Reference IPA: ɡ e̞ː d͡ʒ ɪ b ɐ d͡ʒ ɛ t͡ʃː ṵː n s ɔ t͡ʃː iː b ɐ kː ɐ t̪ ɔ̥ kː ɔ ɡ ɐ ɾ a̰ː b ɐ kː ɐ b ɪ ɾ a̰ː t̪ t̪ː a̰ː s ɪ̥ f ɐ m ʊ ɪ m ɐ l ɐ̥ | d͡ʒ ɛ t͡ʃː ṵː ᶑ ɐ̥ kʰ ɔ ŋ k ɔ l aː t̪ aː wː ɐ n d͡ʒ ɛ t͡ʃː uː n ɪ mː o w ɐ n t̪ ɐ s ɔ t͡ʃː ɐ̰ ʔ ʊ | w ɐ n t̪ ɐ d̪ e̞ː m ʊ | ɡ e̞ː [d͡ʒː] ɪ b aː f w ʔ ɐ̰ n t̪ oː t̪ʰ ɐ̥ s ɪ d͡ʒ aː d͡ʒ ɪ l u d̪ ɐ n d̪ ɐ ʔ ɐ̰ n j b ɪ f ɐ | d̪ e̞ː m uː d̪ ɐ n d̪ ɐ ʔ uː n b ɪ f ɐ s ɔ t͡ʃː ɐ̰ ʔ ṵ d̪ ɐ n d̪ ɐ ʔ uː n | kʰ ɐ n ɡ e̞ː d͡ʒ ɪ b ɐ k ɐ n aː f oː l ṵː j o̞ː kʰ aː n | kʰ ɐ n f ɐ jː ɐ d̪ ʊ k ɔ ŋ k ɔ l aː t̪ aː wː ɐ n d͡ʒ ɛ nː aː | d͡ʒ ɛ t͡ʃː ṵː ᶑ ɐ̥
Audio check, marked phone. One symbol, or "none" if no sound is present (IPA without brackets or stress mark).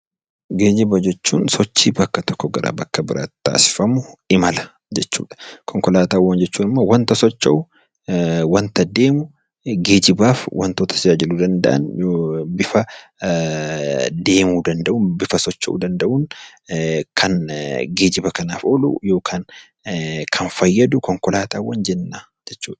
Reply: d͡ʒ